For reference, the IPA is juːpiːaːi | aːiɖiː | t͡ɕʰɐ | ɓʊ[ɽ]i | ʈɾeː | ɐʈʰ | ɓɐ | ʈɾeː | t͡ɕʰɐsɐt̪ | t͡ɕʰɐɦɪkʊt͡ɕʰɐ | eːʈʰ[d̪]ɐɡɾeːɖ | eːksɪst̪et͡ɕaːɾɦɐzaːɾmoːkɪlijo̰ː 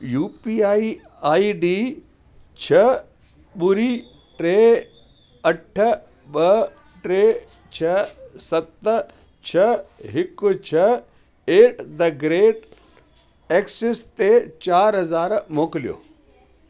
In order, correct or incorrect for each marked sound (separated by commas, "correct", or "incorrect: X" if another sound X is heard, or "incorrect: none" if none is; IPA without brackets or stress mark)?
incorrect: ɾ, correct